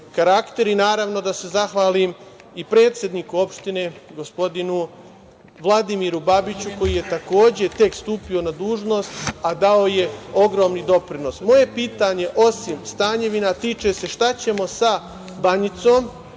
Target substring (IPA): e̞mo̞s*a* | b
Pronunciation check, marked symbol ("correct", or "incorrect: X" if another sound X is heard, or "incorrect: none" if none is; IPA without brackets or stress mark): correct